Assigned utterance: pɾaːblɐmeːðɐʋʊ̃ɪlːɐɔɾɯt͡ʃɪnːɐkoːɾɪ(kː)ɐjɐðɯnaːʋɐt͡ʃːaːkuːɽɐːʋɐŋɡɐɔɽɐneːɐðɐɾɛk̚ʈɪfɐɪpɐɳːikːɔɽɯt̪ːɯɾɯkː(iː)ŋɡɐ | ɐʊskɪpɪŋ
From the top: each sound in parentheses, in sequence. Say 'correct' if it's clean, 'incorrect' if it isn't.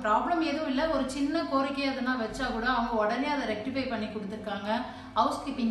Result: correct, incorrect: aː

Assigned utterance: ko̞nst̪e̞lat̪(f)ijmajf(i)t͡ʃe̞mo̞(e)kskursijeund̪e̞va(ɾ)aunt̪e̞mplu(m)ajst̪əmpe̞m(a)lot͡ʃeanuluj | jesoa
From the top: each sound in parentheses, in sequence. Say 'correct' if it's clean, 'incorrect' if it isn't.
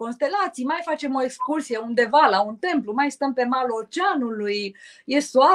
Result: incorrect: s, incorrect: a, correct, incorrect: l, correct, correct

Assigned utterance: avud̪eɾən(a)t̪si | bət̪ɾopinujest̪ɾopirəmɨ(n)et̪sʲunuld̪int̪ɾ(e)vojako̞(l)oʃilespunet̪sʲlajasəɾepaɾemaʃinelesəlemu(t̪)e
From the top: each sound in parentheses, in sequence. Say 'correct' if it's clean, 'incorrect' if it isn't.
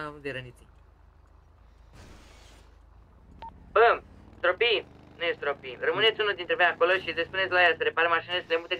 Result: incorrect: i, correct, correct, correct, correct

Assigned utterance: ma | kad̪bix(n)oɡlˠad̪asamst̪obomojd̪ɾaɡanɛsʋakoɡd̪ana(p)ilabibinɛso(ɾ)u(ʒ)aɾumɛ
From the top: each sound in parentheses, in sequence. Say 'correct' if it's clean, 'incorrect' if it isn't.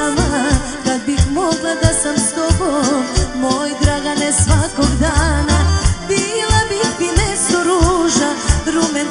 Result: incorrect: m, incorrect: b, correct, correct

